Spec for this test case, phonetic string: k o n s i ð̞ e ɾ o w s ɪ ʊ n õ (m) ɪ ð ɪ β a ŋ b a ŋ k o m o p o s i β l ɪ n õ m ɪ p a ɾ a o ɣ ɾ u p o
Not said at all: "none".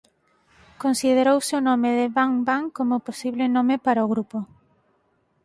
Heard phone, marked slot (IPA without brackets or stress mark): m